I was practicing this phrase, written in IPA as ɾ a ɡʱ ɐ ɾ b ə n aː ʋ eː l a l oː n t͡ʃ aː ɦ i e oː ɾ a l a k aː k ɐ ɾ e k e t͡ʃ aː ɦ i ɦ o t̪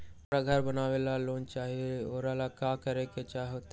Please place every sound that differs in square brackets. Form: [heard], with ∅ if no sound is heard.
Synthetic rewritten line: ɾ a ɡʱ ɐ ɾ b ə n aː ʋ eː l a l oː n t͡ʃ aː ɦ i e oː ɾ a l a k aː k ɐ ɾ e k e t͡ʃ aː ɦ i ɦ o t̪